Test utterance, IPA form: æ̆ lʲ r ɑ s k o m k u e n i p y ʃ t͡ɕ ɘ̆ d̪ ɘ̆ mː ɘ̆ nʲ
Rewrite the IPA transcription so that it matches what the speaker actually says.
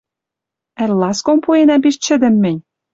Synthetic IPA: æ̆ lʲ l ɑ s k o m p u e n æ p i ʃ t͡ɕ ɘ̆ d̪ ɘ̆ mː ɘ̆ nʲ